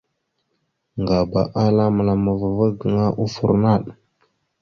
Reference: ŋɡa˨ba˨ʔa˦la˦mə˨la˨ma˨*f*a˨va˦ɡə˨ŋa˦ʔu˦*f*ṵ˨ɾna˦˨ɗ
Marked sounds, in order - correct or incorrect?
incorrect: v, correct

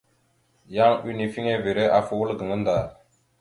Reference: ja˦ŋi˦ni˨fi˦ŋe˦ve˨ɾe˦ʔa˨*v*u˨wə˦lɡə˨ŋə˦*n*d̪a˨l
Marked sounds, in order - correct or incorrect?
incorrect: f, correct

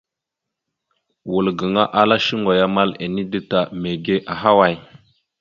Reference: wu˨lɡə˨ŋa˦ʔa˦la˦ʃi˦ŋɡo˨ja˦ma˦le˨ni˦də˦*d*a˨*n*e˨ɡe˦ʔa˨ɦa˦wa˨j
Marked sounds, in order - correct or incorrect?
incorrect: t, incorrect: m

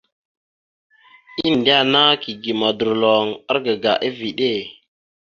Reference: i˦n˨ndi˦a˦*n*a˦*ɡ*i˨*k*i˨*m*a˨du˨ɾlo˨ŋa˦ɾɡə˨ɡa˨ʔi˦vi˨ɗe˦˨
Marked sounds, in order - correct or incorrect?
correct, incorrect: k, incorrect: ɡ, correct

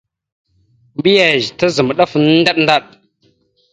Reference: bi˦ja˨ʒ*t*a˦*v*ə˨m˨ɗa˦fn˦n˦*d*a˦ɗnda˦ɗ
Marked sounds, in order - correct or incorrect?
correct, incorrect: z, correct

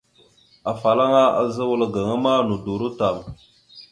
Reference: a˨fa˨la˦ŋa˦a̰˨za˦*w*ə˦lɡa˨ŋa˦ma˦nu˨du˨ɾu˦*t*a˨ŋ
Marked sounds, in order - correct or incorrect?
correct, correct

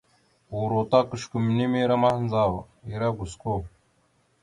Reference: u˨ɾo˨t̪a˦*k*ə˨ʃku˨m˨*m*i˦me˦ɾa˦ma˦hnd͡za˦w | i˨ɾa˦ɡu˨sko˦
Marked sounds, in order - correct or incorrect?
correct, incorrect: n

